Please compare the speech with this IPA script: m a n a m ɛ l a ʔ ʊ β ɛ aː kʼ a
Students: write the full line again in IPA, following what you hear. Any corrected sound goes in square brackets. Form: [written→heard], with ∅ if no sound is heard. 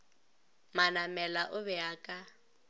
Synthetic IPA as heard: m a n a m ɛ l a ʔ ʊ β ɛ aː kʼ a